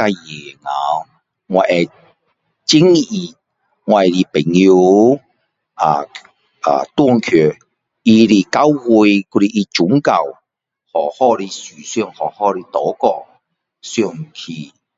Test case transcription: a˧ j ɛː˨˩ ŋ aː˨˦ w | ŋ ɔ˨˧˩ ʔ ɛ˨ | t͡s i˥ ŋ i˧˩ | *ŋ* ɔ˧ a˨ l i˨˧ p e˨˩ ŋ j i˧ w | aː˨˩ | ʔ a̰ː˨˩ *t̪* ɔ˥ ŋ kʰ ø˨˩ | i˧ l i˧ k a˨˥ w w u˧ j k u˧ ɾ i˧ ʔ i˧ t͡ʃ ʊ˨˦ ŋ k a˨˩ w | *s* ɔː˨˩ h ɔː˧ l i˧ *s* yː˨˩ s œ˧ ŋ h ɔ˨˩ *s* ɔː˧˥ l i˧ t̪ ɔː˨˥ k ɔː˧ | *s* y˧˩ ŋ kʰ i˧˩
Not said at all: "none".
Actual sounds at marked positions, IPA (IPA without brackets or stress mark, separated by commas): ŋ, t̪, h, s, h, s